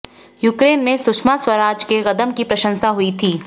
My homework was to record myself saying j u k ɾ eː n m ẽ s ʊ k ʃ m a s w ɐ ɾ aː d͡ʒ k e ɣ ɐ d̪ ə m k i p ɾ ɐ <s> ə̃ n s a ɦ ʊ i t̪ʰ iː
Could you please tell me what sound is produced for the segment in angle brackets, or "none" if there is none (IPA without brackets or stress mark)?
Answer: ʃ